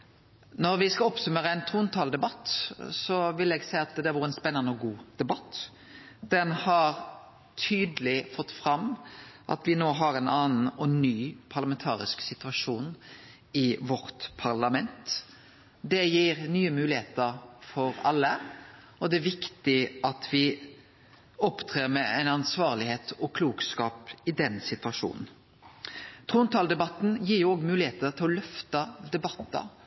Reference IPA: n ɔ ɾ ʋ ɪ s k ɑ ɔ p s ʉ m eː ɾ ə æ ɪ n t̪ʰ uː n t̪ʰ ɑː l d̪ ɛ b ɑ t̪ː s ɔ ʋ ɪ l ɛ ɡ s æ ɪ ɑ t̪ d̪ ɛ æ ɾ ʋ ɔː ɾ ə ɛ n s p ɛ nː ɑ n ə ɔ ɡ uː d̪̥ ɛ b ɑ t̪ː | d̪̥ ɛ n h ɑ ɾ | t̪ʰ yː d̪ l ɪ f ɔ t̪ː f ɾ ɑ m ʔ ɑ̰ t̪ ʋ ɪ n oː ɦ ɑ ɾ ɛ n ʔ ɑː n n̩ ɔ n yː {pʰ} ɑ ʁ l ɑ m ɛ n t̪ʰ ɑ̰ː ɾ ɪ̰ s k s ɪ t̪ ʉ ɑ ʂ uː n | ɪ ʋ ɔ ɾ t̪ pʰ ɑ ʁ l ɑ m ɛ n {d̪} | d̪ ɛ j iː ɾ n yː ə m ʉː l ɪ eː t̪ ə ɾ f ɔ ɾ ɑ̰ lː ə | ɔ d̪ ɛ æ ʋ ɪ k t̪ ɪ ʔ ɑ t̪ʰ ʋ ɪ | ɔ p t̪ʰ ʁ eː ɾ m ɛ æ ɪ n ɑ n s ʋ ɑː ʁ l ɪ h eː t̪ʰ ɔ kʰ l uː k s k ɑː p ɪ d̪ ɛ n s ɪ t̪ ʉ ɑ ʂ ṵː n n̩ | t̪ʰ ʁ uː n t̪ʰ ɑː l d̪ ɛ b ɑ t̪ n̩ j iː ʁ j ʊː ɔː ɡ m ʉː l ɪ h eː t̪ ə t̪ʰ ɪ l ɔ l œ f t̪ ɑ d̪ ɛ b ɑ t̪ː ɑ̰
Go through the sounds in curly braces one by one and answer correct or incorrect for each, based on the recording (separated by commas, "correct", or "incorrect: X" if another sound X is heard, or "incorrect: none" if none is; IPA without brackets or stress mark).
correct, incorrect: t̪